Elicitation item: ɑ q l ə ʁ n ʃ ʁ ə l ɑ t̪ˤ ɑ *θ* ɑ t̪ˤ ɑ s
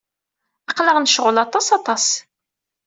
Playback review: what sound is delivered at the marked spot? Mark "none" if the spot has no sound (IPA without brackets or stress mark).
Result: s